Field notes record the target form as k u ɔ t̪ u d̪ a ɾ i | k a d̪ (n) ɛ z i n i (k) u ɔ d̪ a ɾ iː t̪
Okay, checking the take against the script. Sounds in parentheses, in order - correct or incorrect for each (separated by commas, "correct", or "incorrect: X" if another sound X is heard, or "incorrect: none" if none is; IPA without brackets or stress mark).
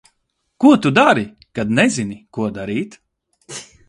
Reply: correct, correct